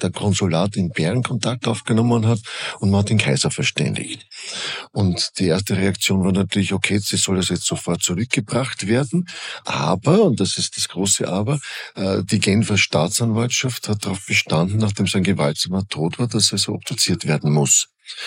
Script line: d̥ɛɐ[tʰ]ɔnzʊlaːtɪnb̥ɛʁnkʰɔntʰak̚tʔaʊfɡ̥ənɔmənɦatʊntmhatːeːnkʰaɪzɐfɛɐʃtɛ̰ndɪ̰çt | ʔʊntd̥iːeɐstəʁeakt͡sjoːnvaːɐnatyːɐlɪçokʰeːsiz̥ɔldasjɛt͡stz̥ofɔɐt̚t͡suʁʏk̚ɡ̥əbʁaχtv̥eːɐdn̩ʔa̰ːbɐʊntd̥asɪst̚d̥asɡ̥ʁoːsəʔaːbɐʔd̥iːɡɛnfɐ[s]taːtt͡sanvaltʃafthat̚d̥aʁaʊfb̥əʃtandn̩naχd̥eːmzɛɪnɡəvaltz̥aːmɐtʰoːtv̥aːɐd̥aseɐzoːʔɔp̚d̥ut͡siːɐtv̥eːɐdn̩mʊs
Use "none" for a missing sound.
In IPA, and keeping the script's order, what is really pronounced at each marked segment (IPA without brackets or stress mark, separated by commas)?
kʰ, ʃ